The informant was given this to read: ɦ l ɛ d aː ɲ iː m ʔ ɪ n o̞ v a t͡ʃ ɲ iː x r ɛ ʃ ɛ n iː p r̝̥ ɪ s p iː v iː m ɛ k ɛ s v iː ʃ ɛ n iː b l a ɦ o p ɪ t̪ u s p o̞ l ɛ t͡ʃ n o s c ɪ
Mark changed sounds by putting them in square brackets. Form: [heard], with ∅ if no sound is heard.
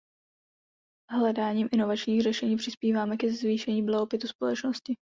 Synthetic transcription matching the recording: ɦ l ɛ d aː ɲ iː m ʔ ɪ n o̞ v a t͡ʃ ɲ iː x r ɛ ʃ ɛ [ɲ] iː p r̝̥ ɪ s p iː v [aː] m ɛ k ɛ [z] v iː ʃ ɛ [ɲ] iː b l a ɦ o p ɪ t̪ u s p o̞ l ɛ t͡ʃ n o s c ɪ

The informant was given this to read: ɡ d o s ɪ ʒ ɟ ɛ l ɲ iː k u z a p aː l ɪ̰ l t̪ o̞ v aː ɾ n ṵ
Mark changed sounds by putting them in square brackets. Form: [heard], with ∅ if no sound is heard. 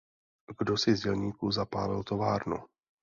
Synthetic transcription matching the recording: ɡ d o s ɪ [z] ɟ ɛ l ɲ iː k u z a p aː l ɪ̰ l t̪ o̞ v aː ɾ n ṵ

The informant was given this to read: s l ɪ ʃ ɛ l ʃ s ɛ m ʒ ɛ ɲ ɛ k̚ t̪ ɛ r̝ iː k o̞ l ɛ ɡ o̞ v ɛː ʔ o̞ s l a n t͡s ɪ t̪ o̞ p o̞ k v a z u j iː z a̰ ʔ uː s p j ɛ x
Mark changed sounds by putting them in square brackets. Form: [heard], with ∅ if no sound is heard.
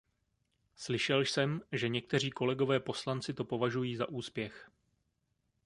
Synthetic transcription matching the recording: s l ɪ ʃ ɛ l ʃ s ɛ m ʒ ɛ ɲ ɛ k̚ t̪ ɛ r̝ iː k o̞ l ɛ ɡ o̞ v ɛː [p] o̞ s l a n t͡s ɪ t̪ o̞ p o̞ [∅] v a [ʒ] u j iː z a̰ ʔ uː s p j ɛ x

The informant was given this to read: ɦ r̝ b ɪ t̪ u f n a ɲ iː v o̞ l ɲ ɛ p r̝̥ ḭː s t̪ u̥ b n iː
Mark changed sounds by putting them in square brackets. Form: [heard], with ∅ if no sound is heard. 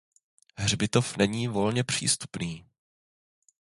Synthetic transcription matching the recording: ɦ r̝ b ɪ t̪ [o] f n [ɛ] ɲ iː v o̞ l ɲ ɛ p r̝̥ ḭː s t̪ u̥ [p] n iː

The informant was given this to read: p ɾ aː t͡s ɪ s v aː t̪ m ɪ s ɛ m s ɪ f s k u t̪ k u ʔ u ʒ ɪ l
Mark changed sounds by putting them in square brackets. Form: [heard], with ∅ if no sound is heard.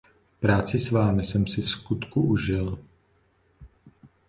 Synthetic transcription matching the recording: p ɾ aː t͡s ɪ s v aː [∅] m ɪ s ɛ m s ɪ f s k u t̪ k u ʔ u ʒ ɪ l

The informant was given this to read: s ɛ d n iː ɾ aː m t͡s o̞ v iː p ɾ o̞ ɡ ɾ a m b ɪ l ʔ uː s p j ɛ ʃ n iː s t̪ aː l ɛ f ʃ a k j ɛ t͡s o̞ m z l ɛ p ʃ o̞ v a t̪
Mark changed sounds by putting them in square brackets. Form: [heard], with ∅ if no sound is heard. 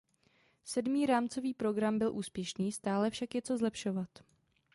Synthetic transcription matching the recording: s ɛ d [m] iː ɾ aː m t͡s o̞ v iː p ɾ o̞ ɡ ɾ a m b ɪ l ʔ uː s p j ɛ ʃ n iː s t̪ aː l ɛ f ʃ a k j ɛ t͡s o̞ [∅] z l ɛ p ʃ o̞ v a t̪

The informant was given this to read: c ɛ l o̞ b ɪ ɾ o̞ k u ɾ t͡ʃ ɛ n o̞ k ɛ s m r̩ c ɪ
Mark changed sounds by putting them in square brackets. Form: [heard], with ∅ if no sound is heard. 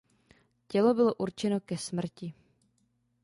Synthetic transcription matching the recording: c ɛ l o̞ b ɪ [l] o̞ [ʔ] u ɾ t͡ʃ ɛ n o̞ k ɛ s m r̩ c ɪ

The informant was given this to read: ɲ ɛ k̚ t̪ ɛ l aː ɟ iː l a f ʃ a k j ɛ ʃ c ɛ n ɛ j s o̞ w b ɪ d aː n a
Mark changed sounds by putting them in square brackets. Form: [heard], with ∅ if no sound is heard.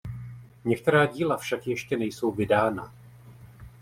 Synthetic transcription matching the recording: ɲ ɛ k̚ t̪ ɛ [ɾ] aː ɟ iː l a f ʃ a k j ɛ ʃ c ɛ n ɛ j s o̞ w [v] ɪ d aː n a

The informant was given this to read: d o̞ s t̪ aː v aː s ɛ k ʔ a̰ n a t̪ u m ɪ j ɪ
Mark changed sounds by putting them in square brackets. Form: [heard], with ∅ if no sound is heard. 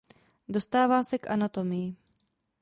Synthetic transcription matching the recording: d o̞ s t̪ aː v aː s ɛ k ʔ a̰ n a t̪ [o] m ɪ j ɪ

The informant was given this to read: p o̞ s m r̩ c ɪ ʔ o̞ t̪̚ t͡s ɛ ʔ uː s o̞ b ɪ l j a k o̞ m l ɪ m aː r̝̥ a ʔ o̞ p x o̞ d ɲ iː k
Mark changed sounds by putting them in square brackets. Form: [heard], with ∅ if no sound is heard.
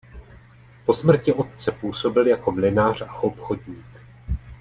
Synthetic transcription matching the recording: p o̞ s m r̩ c ɪ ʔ o̞ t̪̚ t͡s ɛ [p] uː s o̞ b ɪ l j a k o̞ m l ɪ [n] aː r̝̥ a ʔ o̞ p x o̞ d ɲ iː k

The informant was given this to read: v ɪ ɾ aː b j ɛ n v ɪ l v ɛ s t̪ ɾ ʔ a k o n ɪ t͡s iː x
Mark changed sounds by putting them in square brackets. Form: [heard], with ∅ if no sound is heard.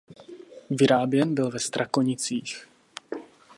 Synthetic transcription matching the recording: v ɪ ɾ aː b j ɛ n [b] ɪ l v ɛ s t̪ ɾ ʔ a k o [ɲ] ɪ t͡s iː x

